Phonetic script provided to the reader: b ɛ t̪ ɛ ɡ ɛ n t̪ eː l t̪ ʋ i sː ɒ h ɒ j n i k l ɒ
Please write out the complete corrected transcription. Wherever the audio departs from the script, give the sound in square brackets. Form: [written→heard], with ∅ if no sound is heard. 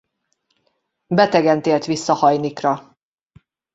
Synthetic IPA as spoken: b ɛ t̪ ɛ ɡ ɛ n t̪ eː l t̪ ʋ i sː ɒ h ɒ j n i k [l→r] ɒ